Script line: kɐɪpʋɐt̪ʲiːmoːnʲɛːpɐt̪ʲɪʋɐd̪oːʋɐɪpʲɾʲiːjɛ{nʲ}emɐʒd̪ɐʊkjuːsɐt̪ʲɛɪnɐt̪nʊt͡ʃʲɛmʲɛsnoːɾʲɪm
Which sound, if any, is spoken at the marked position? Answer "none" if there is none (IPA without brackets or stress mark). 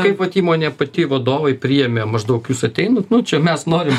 mʲ